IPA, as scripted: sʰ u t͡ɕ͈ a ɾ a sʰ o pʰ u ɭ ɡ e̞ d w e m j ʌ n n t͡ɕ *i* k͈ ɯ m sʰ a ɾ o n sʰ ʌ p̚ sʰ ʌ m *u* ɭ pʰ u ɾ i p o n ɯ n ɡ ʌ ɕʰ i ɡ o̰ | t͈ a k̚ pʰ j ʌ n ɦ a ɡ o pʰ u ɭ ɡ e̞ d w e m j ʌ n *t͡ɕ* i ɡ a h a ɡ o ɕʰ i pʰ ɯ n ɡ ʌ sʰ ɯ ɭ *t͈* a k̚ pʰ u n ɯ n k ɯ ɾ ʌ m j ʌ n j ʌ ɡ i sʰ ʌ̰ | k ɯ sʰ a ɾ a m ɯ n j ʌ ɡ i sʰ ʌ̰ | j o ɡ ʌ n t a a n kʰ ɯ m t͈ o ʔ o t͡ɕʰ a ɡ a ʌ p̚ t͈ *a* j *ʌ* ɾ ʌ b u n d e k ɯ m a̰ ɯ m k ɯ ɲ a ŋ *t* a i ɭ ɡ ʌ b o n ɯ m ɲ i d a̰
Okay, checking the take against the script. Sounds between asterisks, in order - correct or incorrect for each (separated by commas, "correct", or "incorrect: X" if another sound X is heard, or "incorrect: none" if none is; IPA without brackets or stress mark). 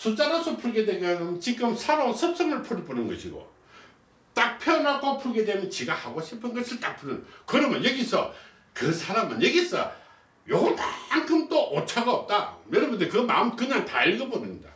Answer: correct, incorrect: ɯ, correct, correct, correct, correct, correct